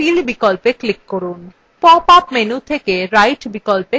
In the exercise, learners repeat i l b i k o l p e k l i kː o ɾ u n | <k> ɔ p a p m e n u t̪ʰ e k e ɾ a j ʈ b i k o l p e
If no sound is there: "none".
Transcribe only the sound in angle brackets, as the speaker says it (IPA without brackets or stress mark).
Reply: p